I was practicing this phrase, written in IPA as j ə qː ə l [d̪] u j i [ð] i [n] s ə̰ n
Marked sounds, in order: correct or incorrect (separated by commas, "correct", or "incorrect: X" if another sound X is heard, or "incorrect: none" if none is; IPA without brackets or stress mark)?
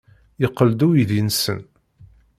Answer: correct, correct, correct